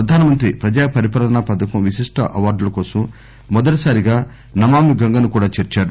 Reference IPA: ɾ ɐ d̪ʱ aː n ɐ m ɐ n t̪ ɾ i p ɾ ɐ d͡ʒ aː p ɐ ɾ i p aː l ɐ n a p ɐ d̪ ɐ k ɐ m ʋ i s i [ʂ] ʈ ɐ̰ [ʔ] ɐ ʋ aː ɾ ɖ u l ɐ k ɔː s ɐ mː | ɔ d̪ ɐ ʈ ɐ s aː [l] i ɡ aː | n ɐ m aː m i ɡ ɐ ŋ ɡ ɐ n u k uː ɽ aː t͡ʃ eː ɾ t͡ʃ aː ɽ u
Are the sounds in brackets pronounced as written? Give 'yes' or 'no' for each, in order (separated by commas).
yes, yes, no